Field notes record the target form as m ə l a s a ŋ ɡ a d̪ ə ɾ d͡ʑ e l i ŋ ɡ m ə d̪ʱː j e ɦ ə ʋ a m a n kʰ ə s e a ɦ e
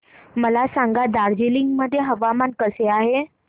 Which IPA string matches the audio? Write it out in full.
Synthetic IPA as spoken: m ə l a s a ŋ ɡ a d̪ a ɾ d͡ʑ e l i ŋ ɡ m ə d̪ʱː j e ɦ ə ʋ a m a n k ə s e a ɦ e